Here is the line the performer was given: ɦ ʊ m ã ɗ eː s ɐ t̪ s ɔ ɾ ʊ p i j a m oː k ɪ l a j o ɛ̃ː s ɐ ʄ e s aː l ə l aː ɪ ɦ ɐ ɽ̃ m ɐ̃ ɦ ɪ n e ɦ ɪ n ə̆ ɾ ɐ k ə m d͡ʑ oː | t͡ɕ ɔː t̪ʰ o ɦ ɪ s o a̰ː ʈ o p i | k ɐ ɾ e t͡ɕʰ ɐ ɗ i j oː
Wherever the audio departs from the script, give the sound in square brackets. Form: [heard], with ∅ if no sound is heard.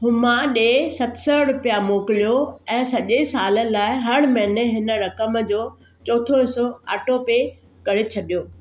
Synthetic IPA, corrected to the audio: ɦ ʊ m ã ɗ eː s ɐ t̪ s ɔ ɾ ʊ p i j a m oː k ɪ l [i] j o ɛ̃ː s ɐ ʄ e s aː l ə l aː ɪ ɦ ɐ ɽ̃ m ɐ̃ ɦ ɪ n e ɦ ɪ n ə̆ ɾ ɐ k ə m d͡ʑ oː | t͡ɕ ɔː t̪ʰ o ɦ ɪ s o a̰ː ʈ o p [e] | k ɐ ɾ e t͡ɕʰ ɐ ɗ i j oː